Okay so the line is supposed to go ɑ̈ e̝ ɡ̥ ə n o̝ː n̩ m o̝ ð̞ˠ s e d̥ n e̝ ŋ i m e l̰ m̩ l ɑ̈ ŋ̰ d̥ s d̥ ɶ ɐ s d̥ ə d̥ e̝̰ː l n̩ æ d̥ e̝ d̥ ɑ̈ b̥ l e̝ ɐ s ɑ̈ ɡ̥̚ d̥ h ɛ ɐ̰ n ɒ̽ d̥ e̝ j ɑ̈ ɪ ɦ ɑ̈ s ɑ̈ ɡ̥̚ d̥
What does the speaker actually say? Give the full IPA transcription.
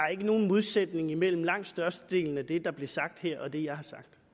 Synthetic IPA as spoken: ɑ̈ e̝ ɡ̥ ə n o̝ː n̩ m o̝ ð̞ˠ s e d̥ n e̝ ŋ i m e l̰ m̩ l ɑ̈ ŋ̰ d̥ s d̥ ɶ ɐ s d̥ ə d̥ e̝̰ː l n̩ æ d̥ e̝ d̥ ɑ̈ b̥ l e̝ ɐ s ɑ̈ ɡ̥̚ d̥ h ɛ ɐ̰ ɒ̽ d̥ e̝ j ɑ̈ ɪ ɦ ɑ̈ s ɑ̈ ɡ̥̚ d̥